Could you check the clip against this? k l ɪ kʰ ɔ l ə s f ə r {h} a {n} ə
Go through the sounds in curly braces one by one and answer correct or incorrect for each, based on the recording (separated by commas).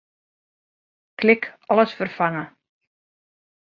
incorrect, incorrect